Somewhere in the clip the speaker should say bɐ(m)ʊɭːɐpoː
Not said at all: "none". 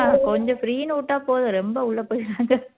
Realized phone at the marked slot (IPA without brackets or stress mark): none